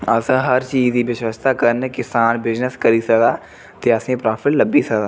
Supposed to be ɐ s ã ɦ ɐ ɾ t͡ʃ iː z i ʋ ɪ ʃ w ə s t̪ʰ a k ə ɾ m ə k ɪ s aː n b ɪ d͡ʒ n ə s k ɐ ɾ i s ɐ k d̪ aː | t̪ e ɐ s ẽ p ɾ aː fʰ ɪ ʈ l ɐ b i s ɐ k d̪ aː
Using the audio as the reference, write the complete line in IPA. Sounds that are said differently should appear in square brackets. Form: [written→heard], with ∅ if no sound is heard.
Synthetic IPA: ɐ s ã ɦ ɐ ɾ t͡ʃ iː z i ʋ ɪ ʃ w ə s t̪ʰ a k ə ɾ [m→n] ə k ɪ s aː n b ɪ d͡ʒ n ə s k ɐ ɾ i s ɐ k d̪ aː | t̪ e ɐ s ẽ p ɾ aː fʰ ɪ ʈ l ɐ b i s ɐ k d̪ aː